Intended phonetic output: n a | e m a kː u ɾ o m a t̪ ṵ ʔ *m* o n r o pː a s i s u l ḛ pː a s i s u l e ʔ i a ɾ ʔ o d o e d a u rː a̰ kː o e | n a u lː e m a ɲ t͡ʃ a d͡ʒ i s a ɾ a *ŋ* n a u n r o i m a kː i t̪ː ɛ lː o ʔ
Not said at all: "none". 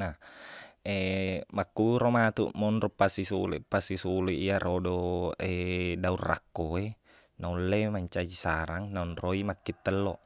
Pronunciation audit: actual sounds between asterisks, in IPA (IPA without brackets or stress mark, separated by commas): m, ŋ